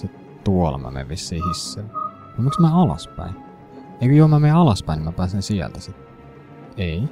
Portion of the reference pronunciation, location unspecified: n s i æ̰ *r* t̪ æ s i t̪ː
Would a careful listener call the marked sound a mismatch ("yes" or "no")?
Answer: yes